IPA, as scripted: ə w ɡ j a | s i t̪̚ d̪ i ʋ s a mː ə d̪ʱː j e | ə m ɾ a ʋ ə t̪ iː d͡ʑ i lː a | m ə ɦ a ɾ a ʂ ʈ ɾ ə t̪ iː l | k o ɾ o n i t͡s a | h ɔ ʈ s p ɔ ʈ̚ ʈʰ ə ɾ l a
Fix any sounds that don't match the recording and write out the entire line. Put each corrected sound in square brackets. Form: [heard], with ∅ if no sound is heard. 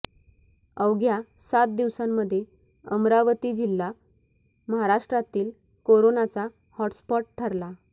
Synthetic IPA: ə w ɡ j a | s [a] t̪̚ d̪ i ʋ s a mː ə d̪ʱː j e | ə m ɾ a ʋ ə t̪ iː d͡ʑ i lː a | m ə ɦ a ɾ a ʂ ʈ ɾ [a] t̪ iː l | k o ɾ o n [a] t͡s a | h ɔ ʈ s p ɔ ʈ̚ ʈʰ ə ɾ l a